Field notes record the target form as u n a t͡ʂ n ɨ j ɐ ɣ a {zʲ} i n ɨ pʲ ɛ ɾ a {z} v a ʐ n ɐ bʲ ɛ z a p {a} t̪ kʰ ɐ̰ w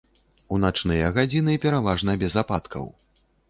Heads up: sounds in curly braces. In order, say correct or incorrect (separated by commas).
incorrect, incorrect, correct